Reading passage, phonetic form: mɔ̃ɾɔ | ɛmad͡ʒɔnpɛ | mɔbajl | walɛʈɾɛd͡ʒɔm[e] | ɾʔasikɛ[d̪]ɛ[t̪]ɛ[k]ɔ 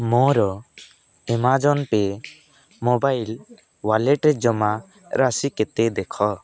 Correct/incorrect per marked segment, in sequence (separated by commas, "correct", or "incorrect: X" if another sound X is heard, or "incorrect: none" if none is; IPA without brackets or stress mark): incorrect: a, incorrect: t̪, incorrect: d̪, incorrect: kʰ